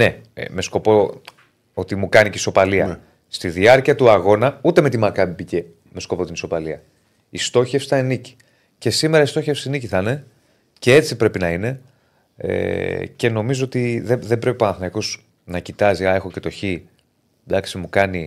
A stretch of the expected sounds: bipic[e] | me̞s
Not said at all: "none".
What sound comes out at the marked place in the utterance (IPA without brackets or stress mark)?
e